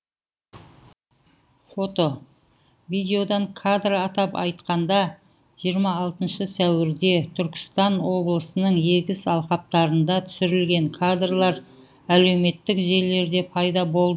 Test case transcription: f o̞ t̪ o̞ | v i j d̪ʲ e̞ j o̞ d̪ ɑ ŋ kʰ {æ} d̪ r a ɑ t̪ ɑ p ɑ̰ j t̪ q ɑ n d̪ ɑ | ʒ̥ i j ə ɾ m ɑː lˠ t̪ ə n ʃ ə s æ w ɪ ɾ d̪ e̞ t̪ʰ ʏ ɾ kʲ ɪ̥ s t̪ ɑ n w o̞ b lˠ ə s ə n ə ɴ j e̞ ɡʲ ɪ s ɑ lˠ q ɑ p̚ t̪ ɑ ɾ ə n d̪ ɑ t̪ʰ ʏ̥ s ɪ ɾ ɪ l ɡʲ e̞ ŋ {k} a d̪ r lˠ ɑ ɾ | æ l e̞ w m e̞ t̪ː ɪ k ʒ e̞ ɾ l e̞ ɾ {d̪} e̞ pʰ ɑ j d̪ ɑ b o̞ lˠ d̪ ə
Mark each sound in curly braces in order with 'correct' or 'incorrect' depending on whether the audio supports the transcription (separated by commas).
incorrect, incorrect, correct